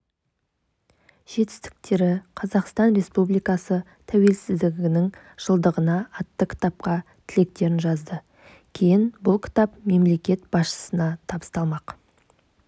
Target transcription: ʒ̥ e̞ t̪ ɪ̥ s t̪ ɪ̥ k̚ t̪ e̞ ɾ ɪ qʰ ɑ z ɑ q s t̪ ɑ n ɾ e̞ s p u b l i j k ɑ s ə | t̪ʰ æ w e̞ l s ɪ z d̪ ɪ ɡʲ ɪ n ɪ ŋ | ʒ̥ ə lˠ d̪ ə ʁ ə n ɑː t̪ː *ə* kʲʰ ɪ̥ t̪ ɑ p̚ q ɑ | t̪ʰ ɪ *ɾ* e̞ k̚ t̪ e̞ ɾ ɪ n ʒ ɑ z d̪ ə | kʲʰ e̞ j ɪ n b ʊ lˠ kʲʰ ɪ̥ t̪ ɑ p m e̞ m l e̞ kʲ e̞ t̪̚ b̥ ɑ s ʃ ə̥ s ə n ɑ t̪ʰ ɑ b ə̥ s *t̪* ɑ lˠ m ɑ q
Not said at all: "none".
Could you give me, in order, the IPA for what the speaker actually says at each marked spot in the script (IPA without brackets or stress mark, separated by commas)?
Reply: ə, l, t̪